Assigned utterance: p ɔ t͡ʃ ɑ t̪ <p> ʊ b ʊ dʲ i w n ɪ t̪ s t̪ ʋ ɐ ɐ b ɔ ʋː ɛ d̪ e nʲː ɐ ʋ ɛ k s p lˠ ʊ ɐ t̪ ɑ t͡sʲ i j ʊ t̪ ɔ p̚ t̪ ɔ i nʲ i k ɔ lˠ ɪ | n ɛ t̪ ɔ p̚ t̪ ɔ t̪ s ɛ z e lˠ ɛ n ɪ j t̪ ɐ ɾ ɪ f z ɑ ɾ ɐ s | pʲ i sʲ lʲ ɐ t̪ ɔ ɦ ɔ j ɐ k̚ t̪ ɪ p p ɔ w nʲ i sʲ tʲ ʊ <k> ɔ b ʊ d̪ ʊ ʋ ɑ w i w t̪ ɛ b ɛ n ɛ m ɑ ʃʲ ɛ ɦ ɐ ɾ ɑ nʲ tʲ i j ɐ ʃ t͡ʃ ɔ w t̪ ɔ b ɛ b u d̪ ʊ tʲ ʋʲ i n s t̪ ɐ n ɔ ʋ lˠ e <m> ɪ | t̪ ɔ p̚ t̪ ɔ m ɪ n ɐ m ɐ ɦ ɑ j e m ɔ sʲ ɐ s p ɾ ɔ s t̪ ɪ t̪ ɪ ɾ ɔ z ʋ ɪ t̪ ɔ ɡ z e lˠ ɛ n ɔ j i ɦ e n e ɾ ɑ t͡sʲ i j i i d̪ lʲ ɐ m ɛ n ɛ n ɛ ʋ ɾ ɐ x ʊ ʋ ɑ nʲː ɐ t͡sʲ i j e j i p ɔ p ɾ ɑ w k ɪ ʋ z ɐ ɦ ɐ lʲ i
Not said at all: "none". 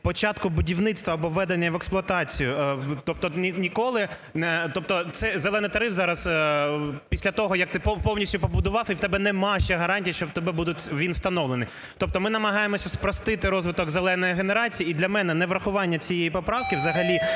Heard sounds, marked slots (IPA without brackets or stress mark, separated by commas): k, p, n